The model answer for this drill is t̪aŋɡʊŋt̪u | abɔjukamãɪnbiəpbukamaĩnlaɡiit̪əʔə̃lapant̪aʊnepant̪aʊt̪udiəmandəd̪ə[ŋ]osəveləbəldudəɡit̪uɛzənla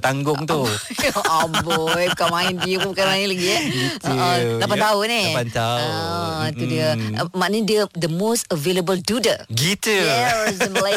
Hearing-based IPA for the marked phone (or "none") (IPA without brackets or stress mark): m